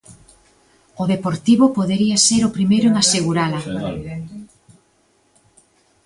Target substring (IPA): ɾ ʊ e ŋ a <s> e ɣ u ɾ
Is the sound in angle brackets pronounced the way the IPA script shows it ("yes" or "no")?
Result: yes